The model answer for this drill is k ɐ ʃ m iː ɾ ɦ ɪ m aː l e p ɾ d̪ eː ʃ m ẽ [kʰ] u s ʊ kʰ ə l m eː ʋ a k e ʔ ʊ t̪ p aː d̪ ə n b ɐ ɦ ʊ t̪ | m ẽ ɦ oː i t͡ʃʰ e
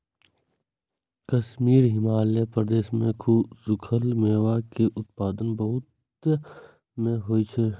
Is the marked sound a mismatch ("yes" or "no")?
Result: no